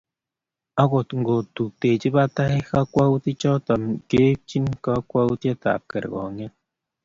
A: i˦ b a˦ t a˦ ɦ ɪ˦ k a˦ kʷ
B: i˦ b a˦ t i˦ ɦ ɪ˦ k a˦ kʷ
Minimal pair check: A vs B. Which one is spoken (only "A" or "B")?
A